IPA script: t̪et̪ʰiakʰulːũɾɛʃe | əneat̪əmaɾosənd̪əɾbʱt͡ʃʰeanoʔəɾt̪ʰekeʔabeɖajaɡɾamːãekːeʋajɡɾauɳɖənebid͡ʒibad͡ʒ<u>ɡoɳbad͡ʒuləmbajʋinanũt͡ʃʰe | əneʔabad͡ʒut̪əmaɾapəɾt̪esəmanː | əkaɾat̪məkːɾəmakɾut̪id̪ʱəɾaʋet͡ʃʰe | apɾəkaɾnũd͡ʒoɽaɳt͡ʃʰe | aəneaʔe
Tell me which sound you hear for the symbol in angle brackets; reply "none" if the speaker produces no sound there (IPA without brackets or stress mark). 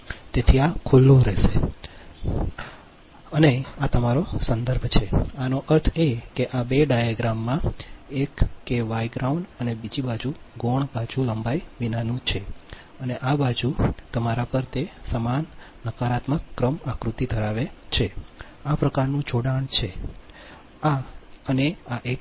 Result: u